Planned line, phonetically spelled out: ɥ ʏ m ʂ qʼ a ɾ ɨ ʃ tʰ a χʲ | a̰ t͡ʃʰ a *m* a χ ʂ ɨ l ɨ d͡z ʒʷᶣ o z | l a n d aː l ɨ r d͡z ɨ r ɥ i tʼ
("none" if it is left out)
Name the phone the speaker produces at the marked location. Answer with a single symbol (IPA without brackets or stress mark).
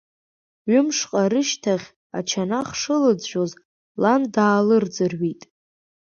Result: n